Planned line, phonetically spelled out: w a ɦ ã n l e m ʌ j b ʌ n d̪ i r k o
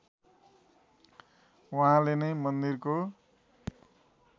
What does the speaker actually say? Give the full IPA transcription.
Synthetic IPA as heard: w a ɦ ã l e n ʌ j m ʌ n d̪ i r k o